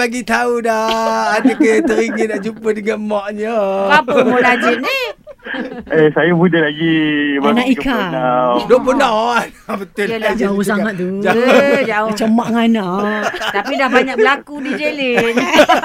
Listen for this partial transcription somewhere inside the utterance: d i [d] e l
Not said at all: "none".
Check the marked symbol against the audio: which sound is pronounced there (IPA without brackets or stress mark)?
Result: d͡ʒ